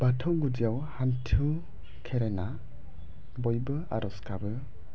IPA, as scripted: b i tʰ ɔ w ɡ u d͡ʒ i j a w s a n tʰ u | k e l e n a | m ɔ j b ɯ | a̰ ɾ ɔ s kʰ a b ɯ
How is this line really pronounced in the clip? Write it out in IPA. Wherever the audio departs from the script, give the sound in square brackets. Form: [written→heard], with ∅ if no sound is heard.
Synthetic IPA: b [i→a] tʰ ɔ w ɡ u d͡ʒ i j a w [s→h] a n tʰ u | [k→kʰ] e [l→ɾ] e n a | [m→b] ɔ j b ɯ | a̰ ɾ ɔ s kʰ a b ɯ